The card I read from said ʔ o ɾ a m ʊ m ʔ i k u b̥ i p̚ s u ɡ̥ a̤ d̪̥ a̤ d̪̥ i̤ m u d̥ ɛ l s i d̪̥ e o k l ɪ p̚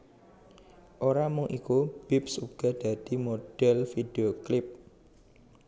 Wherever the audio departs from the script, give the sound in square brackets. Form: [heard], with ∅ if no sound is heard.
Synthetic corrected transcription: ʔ o ɾ a m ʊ [ŋ] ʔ i k u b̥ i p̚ s u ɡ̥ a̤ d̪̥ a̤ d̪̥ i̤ m [o] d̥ ɛ l [f] i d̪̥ e o k l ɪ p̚

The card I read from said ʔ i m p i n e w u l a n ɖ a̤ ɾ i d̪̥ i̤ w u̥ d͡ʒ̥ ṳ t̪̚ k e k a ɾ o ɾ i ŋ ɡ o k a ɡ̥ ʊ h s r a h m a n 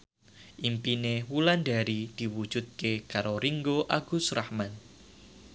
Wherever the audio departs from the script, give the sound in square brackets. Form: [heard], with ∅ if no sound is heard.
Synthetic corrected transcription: ʔ i m p i n e w u l a n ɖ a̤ ɾ i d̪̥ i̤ w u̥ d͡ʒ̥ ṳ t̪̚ k e k a ɾ o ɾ i ŋ ɡ o [ʔ] a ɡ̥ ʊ [∅] s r a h m a n

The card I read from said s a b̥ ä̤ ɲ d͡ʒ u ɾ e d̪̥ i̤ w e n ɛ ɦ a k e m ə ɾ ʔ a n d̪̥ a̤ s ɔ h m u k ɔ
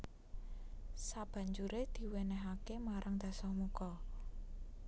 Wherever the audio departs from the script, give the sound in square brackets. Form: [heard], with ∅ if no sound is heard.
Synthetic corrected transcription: s a b̥ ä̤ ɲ d͡ʒ u ɾ e d̪̥ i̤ w e n ɛ ɦ a k e m [a] ɾ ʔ a [ŋ] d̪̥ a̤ s ɔ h m u k ɔ

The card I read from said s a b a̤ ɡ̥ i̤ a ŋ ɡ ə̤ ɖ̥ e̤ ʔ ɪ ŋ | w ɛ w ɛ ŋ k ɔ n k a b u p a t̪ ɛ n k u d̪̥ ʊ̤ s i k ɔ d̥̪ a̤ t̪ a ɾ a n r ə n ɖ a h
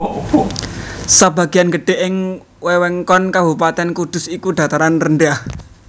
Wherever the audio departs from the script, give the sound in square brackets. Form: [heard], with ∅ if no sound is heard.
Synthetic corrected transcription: s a b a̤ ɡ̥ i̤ a [n] ɡ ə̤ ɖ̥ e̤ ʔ ɪ ŋ | w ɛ w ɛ ŋ k ɔ n k a b u p a t̪ ɛ n k u d̪̥ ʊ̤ s i k [u] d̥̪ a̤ t̪ a ɾ a n r ə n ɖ a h

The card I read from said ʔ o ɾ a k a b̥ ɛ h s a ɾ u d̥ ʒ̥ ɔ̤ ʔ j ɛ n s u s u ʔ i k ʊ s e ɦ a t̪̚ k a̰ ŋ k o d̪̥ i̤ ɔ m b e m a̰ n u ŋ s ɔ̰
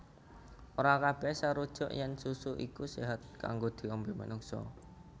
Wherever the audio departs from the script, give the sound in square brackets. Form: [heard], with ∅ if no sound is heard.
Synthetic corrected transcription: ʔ o ɾ a k a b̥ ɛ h s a ɾ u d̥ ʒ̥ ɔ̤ ʔ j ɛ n s u s u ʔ i k [u] s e ɦ a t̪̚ k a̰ ŋ [ɡ] o d̪̥ i̤ ɔ m b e m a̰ n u ŋ s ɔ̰

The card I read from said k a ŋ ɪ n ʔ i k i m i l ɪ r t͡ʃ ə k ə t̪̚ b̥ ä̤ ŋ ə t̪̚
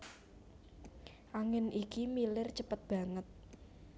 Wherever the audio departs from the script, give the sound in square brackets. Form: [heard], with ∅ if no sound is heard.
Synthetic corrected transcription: [ʔ] a ŋ ɪ n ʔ i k i m i l ɪ r t͡ʃ ə [p] ə t̪̚ b̥ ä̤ ŋ ə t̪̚

